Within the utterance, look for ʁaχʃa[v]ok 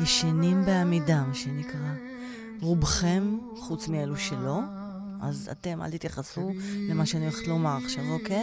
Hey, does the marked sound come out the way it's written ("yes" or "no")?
yes